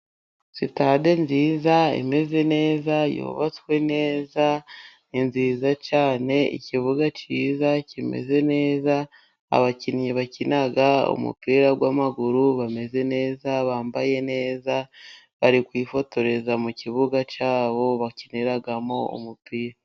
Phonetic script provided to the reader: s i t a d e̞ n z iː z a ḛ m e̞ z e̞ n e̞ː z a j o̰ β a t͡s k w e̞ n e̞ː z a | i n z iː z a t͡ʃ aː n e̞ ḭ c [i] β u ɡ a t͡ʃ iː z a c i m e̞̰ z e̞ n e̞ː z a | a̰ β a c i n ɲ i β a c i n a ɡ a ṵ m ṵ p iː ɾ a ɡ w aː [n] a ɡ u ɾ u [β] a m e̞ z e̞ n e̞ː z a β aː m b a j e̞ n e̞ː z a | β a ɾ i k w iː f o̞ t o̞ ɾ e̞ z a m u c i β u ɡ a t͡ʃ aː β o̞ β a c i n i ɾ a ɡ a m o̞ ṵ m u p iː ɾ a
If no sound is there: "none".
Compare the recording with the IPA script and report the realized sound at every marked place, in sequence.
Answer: i, m, β

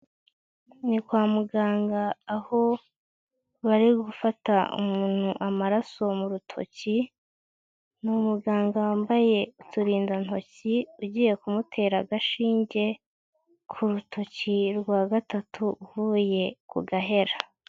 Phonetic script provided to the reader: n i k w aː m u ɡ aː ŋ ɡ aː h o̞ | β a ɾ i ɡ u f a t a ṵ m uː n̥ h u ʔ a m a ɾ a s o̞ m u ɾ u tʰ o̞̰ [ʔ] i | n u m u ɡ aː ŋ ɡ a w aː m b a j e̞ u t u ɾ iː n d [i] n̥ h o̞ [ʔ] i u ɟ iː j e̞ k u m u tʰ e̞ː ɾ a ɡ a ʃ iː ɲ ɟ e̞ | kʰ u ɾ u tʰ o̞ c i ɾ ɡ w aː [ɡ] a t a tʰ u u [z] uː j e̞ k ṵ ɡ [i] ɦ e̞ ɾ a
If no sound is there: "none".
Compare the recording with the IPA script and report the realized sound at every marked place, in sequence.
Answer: c, a, c, ɡ, v, a

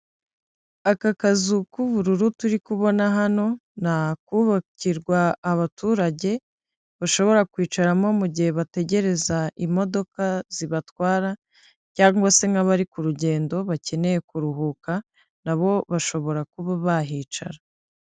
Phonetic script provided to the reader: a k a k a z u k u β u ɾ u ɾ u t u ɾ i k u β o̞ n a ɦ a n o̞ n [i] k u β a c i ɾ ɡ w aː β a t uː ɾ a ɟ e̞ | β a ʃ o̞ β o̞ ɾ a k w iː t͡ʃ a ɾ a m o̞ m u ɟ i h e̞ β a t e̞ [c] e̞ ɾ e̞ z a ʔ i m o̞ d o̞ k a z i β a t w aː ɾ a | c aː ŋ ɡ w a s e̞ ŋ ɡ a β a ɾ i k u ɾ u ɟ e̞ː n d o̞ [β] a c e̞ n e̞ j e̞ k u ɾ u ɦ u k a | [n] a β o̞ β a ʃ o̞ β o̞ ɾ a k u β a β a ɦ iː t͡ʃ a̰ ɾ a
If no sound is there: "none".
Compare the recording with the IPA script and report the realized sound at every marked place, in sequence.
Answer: a, ɟ, β, n

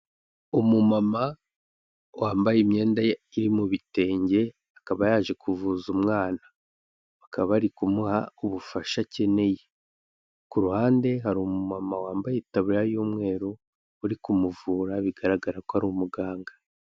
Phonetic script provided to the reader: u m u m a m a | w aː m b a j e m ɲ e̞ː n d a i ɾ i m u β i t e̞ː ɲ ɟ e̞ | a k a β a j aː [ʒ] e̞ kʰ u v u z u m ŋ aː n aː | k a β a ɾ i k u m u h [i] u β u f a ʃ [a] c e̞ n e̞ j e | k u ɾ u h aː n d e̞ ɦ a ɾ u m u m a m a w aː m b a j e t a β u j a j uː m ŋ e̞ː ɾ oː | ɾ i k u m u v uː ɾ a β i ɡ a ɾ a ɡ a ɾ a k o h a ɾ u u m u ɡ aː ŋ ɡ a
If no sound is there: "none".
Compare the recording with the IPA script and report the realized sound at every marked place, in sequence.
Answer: ʒ, a, a

